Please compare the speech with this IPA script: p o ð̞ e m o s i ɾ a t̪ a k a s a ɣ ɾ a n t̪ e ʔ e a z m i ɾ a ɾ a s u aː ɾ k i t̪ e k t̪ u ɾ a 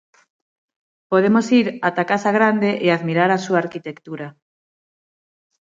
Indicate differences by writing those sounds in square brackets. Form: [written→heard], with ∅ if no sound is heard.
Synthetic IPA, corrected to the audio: p o ð̞ e m o s i ɾ a t̪ a k a s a ɣ ɾ a n [t̪→d̪] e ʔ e a [z→ð] m i ɾ a ɾ a s u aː ɾ k i t̪ e k t̪ u ɾ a